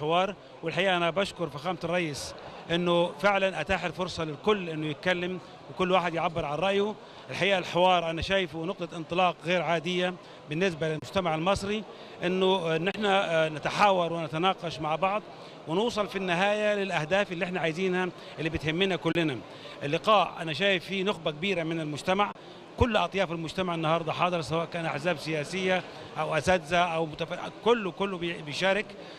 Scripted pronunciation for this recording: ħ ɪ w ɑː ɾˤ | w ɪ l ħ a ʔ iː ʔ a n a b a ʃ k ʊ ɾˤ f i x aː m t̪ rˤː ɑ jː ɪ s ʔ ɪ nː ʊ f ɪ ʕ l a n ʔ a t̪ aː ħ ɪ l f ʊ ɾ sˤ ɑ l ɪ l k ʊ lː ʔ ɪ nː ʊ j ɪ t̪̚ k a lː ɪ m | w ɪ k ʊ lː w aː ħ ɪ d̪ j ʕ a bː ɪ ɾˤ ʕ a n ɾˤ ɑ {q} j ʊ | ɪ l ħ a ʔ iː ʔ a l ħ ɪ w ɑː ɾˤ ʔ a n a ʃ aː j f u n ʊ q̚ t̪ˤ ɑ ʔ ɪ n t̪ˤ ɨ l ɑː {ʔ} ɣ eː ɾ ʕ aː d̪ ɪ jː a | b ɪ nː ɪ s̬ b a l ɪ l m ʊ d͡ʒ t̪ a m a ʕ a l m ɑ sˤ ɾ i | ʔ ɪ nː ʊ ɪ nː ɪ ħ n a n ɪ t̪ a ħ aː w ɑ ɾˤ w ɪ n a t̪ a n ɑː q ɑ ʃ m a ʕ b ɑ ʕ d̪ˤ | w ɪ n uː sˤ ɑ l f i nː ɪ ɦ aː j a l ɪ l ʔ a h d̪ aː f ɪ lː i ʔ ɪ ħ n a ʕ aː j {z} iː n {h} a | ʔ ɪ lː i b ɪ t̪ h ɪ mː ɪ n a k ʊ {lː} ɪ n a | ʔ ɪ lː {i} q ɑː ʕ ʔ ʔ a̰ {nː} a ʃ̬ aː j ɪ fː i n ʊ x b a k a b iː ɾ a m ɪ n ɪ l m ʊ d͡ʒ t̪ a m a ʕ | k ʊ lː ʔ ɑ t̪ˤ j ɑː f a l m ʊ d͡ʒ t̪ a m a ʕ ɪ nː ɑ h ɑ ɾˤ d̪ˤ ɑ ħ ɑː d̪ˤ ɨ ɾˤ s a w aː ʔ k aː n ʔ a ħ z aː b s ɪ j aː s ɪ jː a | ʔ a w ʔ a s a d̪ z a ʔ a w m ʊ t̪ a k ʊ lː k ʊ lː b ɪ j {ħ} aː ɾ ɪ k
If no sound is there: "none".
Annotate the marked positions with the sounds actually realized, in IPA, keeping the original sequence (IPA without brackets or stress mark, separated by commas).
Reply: ʔ, q, z, h, lː, ɪ, n, ʃ